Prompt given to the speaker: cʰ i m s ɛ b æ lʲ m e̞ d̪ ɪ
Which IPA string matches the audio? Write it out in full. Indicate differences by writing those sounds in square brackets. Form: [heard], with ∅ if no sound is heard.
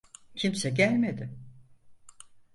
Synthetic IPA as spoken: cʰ i m s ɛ [ɟ] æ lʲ m e̞ d̪ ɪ